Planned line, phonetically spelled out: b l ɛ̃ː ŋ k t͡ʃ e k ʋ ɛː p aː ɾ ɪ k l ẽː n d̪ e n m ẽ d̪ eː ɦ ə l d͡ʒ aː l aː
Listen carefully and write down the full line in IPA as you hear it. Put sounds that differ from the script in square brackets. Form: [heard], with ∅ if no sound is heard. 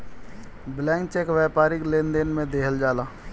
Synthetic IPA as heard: b l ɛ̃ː ŋ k t͡ʃ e k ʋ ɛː p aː ɾ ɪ k l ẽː n d̪ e n m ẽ d̪ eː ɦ ə l d͡ʒ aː l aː